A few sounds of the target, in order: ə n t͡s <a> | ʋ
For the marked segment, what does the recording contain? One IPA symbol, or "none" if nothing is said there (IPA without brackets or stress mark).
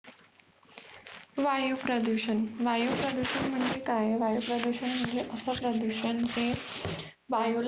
e